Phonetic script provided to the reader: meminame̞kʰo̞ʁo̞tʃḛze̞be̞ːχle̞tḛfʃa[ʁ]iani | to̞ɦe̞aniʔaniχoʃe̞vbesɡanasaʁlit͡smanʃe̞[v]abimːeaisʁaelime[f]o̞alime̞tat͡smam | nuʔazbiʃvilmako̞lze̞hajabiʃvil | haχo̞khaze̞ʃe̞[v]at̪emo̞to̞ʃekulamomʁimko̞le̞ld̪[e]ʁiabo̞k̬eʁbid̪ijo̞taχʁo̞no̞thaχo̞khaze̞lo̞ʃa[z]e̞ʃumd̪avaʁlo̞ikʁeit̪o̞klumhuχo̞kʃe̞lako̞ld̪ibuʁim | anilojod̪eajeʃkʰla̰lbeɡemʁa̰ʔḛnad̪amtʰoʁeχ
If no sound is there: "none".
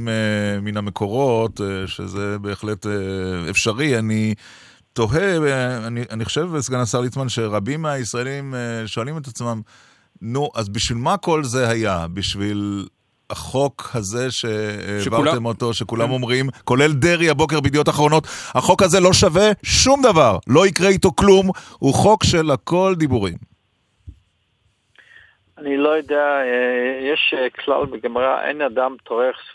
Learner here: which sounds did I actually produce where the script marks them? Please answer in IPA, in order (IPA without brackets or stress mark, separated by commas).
ʁ, ʁ, ʃ, v, e, v